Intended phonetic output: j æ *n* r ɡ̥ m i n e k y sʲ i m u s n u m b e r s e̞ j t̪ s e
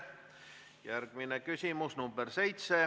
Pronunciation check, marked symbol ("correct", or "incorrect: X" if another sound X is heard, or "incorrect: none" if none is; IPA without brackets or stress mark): incorrect: none